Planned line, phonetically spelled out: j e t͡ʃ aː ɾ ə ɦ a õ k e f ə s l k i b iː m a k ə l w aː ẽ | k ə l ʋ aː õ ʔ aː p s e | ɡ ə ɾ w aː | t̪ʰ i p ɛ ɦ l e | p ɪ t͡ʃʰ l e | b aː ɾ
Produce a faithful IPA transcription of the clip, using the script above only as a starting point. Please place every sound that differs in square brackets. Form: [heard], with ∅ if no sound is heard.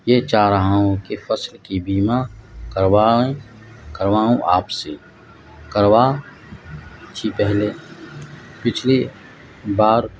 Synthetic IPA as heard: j e t͡ʃ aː ɾ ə ɦ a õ k e f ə s l k i b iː m a k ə [ɾ] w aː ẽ | k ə [ɾ] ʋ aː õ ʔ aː p s e | [k] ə ɾ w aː | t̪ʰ i p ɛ ɦ l e | p ɪ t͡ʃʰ l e | b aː ɾ